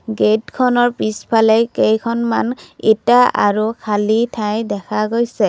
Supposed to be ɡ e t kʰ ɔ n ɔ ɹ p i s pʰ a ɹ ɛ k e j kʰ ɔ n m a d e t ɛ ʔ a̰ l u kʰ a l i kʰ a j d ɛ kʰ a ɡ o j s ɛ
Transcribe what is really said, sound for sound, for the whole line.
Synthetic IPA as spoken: ɡ e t kʰ ɔ n ɔ ɹ p i s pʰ a l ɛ k e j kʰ ɔ n m a n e t a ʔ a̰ ɹ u kʰ a l i tʰ a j d ɛ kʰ a ɡ o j s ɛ

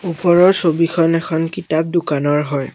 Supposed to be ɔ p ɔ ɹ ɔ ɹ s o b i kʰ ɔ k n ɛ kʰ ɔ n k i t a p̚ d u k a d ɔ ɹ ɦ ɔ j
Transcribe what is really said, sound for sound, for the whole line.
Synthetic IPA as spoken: u p ɔ ɹ ɔ ɹ s o b i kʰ ɔ n ɛ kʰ ɔ n k i t a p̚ d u k a n ɔ ɹ ɦ ɔ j

